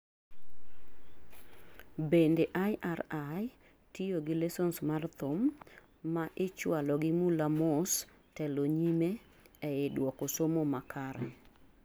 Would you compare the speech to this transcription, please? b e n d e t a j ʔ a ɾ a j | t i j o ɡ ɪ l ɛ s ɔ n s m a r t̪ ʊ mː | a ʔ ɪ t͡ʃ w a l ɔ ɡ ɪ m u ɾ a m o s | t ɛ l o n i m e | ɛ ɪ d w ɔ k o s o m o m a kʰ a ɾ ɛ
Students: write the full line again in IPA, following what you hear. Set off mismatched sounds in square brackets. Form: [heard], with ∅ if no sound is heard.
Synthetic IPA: b e n d e [ʔ] a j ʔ a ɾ a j | t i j o ɡ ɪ l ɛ s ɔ n s m a r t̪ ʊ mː | a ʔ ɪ t͡ʃ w a l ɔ ɡ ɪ m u [l] a m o s | t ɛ l o [ɲ] i m e | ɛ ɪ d w ɔ k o s o m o m a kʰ a ɾ ɛ